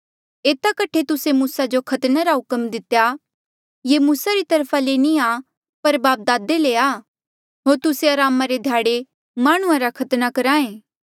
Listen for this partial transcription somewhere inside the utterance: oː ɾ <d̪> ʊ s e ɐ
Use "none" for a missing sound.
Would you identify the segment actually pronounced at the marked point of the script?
t̪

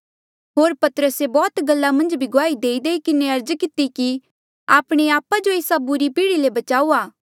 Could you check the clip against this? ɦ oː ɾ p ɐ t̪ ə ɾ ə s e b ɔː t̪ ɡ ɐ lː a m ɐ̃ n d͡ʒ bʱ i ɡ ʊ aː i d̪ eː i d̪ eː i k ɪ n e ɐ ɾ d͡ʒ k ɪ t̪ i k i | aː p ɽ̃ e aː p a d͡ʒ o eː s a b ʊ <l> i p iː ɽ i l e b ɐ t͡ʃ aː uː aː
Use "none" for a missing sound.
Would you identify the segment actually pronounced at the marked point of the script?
ɾ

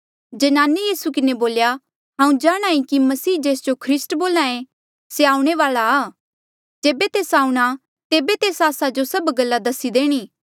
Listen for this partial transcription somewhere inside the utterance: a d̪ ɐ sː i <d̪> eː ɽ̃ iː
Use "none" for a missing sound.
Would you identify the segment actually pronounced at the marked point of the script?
d̪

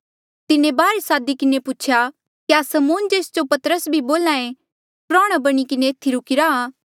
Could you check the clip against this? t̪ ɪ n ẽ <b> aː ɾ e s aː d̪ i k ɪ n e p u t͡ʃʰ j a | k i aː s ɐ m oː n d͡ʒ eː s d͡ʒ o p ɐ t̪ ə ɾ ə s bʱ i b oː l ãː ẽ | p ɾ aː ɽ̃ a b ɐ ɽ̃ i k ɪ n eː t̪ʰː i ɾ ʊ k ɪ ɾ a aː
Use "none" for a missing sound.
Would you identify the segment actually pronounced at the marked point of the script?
b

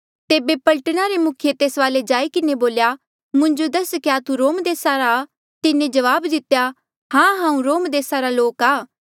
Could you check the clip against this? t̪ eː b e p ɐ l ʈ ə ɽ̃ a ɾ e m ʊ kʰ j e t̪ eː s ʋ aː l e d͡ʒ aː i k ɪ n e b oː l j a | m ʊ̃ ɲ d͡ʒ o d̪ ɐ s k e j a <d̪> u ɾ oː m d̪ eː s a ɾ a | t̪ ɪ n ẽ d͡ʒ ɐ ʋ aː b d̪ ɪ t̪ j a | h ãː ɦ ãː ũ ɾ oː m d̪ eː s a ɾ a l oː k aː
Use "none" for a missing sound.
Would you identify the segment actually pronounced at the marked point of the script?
t̪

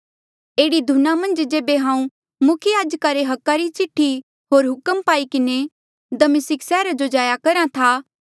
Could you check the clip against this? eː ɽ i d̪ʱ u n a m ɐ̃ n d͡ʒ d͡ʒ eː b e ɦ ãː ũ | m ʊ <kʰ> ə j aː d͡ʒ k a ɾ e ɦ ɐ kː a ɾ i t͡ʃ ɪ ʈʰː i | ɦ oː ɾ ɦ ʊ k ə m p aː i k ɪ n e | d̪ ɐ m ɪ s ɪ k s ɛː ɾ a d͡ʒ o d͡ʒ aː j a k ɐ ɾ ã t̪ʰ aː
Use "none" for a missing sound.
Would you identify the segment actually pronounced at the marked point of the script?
kʰ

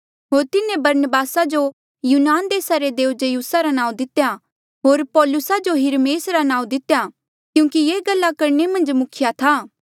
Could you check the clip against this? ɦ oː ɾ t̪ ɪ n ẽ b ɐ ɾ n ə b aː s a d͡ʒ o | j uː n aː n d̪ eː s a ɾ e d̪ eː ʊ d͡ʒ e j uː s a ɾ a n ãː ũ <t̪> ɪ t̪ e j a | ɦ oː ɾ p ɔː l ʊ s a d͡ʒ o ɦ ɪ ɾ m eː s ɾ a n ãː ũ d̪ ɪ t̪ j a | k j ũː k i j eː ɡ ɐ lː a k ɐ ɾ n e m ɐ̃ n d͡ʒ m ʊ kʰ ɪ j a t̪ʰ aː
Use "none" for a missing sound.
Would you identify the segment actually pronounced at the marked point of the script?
d̪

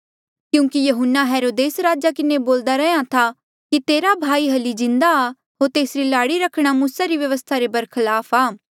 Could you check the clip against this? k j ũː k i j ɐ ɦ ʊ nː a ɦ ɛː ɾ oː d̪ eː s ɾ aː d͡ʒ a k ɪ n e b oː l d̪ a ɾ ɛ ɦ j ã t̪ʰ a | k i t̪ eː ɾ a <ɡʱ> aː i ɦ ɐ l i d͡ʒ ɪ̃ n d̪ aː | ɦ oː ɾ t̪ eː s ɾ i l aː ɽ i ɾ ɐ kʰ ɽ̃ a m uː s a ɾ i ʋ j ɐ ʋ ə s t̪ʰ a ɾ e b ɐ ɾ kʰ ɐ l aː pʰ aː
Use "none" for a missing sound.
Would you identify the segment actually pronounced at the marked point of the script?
bʱ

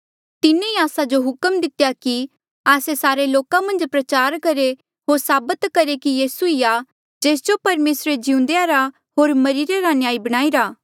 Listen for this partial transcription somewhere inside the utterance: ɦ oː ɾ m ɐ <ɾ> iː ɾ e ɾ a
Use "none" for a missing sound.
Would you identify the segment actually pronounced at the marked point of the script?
ɾ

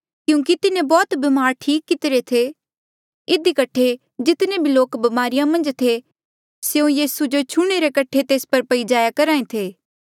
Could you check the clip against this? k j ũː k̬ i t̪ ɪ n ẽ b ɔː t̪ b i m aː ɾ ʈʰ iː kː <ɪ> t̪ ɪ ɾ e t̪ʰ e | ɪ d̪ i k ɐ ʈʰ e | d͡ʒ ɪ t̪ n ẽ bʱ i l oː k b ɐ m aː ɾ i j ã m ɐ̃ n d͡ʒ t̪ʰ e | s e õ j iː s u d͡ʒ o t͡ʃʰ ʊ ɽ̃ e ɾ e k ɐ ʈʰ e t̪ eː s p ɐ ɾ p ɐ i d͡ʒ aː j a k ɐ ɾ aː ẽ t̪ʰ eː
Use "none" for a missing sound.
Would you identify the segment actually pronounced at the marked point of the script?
ɪ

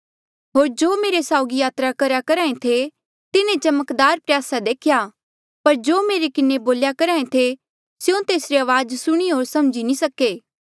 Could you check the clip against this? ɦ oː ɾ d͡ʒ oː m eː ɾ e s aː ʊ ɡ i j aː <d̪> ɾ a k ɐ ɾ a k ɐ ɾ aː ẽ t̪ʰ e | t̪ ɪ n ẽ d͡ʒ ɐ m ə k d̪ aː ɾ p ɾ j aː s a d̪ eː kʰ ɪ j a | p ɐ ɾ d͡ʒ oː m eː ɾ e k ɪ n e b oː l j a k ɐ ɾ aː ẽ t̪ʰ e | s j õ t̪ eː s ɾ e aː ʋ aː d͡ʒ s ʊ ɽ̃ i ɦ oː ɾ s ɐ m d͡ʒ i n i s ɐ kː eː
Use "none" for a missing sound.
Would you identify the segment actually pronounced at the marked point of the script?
t̪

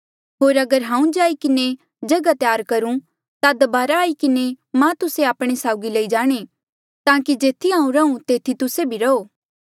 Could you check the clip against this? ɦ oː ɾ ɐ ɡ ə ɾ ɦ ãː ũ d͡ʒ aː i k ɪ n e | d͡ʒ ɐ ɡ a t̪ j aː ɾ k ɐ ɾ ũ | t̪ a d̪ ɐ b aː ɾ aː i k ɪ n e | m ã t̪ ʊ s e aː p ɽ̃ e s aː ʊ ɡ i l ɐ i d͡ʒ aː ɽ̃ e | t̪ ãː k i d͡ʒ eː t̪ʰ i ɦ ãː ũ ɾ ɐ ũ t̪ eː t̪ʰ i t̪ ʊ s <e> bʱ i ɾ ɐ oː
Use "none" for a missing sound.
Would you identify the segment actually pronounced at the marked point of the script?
e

